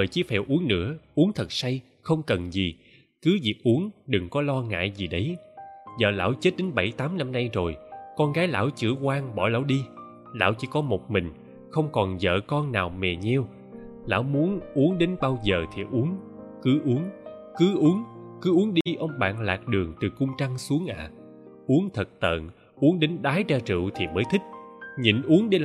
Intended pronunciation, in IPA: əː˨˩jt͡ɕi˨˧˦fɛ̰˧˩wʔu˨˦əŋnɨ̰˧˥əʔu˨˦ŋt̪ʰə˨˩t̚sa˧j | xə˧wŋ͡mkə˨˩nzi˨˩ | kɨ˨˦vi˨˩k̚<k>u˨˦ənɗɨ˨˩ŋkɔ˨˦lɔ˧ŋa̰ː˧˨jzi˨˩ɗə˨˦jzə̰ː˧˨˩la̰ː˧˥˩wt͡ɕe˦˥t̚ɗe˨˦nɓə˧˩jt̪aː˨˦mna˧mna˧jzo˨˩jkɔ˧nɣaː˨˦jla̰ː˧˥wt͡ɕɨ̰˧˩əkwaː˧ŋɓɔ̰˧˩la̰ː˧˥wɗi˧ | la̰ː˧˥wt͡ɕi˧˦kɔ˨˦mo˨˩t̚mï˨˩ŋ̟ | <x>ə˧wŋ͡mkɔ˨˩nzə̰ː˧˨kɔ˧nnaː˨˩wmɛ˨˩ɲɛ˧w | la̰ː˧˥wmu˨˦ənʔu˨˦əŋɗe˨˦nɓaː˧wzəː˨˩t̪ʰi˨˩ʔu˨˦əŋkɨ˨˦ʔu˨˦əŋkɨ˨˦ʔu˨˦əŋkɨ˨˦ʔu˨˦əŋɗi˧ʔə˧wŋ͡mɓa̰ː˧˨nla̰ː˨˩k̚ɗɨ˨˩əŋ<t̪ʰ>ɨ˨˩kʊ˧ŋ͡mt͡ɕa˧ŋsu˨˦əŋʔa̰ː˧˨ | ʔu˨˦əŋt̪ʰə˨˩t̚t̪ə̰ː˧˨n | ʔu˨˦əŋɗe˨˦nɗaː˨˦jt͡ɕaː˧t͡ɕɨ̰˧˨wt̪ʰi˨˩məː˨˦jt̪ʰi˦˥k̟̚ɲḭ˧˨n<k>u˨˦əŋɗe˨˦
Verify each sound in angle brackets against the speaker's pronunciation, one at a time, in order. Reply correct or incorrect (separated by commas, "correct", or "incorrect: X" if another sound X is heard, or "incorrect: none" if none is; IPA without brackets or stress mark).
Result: incorrect: ʔ, correct, incorrect: t̪, incorrect: ʔ